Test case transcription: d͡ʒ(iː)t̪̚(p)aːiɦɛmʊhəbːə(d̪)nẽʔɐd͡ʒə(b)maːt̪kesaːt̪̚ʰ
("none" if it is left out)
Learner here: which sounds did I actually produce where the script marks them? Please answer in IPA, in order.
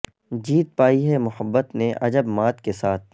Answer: iː, p, t̪, b

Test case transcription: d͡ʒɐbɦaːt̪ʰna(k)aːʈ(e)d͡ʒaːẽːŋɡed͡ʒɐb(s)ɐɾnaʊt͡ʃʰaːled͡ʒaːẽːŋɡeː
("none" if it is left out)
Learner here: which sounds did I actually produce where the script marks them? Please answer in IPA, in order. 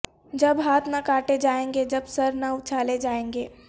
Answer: k, e, s

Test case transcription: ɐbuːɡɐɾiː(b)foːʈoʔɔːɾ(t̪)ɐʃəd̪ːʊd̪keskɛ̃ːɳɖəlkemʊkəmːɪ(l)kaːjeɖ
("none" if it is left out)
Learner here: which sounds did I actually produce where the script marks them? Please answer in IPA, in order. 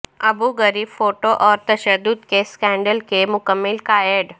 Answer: b, t̪, l

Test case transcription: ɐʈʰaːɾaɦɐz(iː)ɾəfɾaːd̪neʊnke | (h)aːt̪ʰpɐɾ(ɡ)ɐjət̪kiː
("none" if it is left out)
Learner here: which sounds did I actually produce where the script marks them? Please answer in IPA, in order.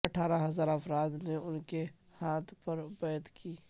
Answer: aː, h, b

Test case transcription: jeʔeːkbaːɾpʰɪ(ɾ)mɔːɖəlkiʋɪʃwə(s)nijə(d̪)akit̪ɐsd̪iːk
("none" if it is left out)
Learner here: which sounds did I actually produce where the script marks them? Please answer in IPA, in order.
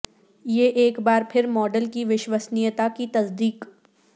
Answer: ɾ, s, t̪

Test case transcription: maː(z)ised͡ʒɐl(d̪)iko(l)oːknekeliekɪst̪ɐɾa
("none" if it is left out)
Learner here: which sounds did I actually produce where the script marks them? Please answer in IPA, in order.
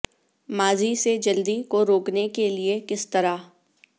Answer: z, d̪, ɾ

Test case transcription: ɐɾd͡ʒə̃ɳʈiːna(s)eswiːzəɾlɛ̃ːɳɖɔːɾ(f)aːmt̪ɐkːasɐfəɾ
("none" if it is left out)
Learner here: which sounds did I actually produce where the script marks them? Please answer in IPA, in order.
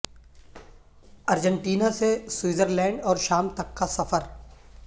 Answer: s, ʃ

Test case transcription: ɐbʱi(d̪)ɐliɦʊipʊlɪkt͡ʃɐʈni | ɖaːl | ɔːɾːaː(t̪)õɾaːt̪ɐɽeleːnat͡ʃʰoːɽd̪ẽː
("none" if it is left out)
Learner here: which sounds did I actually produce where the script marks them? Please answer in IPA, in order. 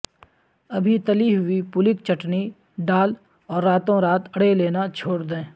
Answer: t̪, t̪

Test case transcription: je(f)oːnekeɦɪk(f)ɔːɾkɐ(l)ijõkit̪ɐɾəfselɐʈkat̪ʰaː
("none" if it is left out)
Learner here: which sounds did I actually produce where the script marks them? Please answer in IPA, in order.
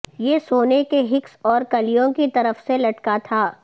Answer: s, s, l

